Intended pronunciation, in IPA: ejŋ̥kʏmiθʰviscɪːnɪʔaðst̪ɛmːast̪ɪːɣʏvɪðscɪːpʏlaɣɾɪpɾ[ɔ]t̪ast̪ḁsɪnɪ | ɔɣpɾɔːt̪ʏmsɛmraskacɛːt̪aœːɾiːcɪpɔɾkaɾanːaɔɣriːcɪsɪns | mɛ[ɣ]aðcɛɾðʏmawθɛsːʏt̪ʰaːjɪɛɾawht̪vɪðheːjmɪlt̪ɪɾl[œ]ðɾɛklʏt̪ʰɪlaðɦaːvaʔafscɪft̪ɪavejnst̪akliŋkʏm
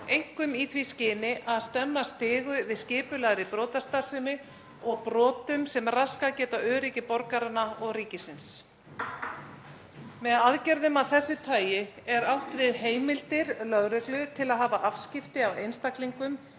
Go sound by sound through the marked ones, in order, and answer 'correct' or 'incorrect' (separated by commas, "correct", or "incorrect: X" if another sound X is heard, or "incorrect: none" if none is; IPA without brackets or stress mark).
incorrect: ɔː, incorrect: ð, correct